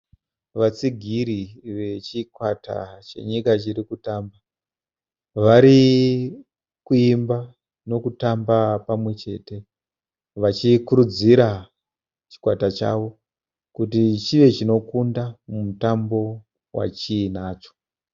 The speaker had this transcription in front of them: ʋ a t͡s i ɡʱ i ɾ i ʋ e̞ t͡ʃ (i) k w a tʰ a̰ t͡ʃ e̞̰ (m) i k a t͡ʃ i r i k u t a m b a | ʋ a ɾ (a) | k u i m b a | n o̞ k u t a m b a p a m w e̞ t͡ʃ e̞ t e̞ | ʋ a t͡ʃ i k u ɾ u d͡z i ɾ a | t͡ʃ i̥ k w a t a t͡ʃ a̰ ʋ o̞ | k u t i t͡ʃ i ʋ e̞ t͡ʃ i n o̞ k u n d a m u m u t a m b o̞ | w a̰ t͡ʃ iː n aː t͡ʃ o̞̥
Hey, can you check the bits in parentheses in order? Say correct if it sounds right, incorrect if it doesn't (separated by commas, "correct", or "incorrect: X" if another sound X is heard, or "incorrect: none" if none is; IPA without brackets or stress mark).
correct, incorrect: ɲ, incorrect: i